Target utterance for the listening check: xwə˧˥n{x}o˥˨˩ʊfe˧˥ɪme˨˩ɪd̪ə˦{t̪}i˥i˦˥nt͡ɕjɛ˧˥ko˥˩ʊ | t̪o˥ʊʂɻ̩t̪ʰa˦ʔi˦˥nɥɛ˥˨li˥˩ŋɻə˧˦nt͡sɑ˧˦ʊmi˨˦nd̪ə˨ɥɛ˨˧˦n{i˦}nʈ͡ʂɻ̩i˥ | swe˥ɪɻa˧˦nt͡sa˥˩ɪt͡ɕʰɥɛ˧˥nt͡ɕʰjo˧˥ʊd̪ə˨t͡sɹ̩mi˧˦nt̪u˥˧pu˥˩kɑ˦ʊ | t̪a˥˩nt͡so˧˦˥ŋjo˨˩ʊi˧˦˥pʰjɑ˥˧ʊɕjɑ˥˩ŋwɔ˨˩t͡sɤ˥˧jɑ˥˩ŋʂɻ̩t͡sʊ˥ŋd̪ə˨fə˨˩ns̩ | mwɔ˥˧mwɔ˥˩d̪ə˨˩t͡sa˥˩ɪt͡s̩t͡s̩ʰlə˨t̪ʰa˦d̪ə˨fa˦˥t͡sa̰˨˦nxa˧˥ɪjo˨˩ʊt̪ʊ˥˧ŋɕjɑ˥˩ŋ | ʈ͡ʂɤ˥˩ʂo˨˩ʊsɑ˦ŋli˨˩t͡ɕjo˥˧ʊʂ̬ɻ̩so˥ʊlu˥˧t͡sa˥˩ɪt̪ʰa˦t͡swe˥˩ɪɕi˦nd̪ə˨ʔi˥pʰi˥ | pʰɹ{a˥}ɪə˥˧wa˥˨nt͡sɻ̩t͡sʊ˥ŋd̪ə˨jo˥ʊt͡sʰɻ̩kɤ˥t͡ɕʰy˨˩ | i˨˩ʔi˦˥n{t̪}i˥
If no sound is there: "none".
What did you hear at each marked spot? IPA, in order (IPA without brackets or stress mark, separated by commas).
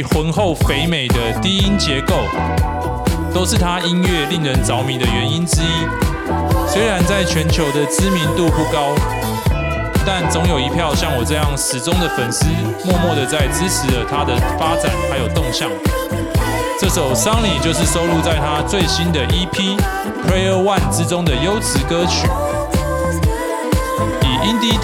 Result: x, t̪, i˦, e˥, t̪